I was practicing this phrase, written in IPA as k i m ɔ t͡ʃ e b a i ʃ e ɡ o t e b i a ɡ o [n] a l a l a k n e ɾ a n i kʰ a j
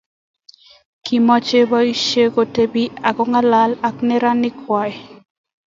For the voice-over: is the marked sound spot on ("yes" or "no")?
no